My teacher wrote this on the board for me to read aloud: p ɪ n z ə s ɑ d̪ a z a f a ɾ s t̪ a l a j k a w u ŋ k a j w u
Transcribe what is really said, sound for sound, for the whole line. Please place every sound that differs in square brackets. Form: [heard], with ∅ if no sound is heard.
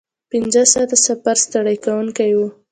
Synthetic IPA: p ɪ n z ə s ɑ [t̪] a [s] a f a ɾ s t̪ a [ɽ] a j k a w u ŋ k a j w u